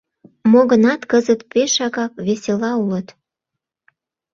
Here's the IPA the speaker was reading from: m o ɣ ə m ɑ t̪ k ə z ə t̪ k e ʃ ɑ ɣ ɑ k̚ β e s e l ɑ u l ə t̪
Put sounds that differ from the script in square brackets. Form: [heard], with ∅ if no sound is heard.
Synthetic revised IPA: m o ɣ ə [n] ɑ t̪ k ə z ə t̪ [p] e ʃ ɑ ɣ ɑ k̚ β e s e l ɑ u l ə t̪